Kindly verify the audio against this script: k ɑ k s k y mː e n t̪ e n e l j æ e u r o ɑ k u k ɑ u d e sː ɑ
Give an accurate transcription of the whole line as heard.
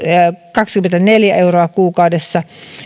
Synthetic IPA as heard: k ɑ k s k y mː e n t̪ æ n e l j æ e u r o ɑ k uː k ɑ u d e sː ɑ